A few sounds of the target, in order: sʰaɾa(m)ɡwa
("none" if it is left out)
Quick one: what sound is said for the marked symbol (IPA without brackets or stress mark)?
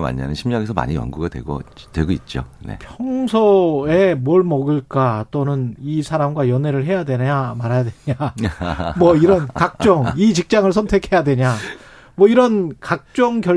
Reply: m